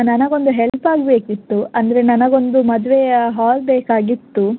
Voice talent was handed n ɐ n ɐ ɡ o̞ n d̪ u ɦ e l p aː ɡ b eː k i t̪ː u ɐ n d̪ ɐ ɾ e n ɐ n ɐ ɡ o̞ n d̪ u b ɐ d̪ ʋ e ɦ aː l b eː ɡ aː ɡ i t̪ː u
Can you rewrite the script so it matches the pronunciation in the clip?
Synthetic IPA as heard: n ɐ n ɐ ɡ o̞ n d̪ u ɦ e l p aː ɡ b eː k i t̪ː u ɐ n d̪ ɐ ɾ e n ɐ n ɐ ɡ o̞ n d̪ u m ɐ d̪ ʋ e ɦ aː l b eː k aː ɡ i t̪ː u